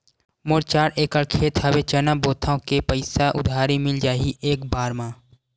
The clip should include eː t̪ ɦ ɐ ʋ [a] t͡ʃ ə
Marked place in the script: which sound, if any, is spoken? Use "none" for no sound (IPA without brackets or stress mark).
e